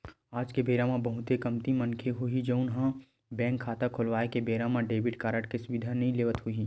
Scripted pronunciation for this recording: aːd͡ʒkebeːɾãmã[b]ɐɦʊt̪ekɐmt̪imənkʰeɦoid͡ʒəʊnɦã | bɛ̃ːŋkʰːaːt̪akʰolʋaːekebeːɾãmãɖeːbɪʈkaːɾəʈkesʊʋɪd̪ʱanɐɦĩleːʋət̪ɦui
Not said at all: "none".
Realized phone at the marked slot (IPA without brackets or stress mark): b